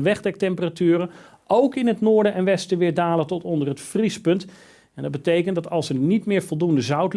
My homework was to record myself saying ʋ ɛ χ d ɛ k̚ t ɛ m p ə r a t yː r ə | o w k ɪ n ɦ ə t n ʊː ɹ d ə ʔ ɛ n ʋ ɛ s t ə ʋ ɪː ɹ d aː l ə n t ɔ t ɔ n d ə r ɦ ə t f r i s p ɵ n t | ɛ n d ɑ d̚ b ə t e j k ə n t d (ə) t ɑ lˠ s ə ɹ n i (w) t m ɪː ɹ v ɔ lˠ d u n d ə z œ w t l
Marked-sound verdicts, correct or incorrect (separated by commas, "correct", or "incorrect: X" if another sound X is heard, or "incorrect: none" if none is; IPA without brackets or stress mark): incorrect: ɑ, incorrect: none